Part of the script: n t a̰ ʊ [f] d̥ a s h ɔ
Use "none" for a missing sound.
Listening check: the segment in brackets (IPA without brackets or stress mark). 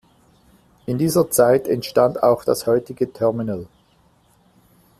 x